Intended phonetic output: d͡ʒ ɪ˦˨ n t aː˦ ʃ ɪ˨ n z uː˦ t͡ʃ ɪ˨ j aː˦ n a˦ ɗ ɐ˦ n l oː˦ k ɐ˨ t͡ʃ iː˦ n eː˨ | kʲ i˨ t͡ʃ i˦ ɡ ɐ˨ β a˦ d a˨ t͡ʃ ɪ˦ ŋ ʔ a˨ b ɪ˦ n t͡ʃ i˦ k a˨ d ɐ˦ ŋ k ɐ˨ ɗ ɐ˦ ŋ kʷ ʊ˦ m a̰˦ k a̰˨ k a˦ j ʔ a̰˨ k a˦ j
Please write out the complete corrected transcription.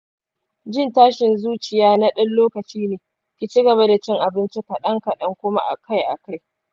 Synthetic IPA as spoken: d͡ʒ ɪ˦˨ n t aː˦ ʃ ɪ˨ n z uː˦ t͡ʃ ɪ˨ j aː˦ n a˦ ɗ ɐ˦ n l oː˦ k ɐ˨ t͡ʃ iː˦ n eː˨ | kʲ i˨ t͡ʃ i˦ ɡ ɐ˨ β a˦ d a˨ t͡ʃ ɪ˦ ŋ ʔ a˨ b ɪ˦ n t͡ʃ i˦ k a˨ ɗ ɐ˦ ŋ k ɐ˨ ɗ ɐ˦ ŋ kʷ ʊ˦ m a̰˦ ʔ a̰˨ k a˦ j ʔ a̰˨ k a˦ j